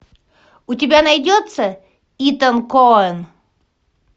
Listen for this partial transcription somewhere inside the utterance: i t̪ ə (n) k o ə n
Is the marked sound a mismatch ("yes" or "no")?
no